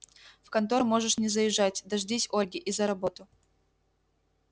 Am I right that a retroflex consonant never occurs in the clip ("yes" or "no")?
no